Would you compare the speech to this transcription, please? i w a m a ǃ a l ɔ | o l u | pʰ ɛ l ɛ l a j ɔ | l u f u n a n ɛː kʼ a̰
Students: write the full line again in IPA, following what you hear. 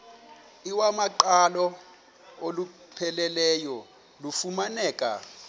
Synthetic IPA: i w a m a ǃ a l ɔ | o l u | pʰ ɛ l ɛ l ɛ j ɔ | l u f u m a n ɛː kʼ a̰